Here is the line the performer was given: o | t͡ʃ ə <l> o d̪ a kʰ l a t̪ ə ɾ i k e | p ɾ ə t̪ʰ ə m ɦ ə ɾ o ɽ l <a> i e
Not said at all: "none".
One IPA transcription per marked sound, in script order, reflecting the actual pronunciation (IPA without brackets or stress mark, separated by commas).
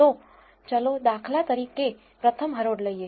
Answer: l, ə